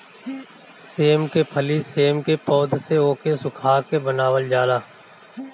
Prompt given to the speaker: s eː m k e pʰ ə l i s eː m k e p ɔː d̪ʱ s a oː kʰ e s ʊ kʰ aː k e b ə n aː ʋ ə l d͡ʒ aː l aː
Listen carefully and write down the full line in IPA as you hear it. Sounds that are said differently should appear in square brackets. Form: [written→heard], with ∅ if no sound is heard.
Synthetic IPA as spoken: s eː m k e pʰ ə l i s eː m k e p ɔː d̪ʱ s [a→e] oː [kʰ→k] e s ʊ kʰ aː k e b ə n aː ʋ ə l d͡ʒ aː l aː